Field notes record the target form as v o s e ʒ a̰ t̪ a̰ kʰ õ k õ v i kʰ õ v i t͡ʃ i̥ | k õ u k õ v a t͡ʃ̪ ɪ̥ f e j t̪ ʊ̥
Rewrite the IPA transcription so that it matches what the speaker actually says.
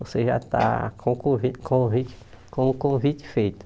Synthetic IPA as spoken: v o s e ʒ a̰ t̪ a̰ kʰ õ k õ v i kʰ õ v i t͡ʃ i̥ | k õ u k õ v i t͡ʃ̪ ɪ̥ f e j t̪ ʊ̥